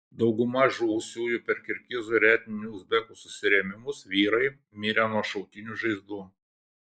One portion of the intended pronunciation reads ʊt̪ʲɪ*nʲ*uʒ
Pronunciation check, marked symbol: correct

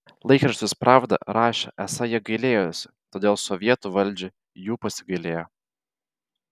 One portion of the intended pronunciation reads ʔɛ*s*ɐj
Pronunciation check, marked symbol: correct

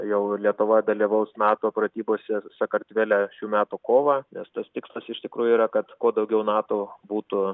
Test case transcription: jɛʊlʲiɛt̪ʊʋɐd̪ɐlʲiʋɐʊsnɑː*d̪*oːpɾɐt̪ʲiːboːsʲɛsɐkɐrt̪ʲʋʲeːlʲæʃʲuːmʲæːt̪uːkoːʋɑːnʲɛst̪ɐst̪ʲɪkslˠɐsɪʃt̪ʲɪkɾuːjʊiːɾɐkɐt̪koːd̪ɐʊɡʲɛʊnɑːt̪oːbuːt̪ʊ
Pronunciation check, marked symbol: incorrect: t̪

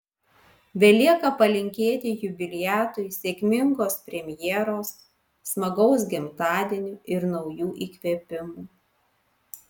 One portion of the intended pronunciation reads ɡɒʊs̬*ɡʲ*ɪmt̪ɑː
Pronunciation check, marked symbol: correct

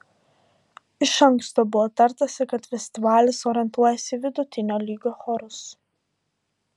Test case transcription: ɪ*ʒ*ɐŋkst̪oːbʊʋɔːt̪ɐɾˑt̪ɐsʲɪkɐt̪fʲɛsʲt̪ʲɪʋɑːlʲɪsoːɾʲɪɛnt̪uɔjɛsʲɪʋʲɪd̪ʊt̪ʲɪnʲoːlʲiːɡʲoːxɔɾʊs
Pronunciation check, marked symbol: incorrect: ʃ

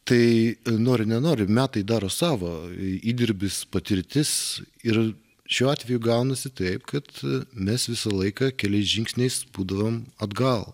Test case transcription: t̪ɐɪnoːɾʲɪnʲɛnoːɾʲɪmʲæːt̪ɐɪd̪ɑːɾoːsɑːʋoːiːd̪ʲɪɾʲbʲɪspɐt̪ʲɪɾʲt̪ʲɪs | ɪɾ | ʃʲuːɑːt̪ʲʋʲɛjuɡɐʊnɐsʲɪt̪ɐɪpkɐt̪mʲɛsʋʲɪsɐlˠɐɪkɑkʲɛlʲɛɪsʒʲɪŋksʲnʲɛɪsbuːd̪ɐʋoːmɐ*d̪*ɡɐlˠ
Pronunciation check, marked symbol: correct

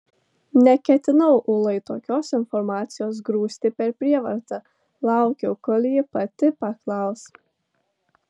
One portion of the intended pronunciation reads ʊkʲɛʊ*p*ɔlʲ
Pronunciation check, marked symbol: incorrect: k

